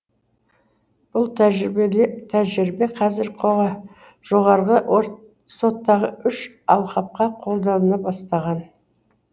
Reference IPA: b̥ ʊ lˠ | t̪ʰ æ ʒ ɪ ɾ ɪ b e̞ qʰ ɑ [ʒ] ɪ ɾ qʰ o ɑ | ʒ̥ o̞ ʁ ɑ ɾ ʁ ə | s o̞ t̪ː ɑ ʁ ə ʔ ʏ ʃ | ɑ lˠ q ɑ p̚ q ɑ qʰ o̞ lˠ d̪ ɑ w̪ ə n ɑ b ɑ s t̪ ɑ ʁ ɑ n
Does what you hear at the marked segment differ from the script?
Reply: yes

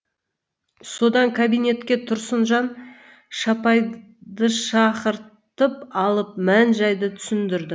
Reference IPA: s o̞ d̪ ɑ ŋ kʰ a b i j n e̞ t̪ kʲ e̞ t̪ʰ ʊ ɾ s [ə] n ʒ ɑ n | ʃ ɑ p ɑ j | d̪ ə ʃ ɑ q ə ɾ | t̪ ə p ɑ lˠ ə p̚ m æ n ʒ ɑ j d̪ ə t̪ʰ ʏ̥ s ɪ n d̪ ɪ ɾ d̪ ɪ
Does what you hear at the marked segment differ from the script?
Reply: no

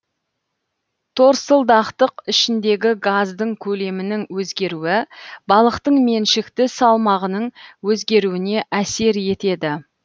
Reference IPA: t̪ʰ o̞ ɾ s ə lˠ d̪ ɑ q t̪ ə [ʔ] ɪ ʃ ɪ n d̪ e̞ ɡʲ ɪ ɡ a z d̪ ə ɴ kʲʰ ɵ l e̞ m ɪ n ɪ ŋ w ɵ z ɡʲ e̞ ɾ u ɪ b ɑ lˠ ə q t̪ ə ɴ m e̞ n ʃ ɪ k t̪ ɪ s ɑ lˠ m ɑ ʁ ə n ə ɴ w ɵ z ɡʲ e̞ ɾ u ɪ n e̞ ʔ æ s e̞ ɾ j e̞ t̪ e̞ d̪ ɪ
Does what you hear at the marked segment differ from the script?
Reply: yes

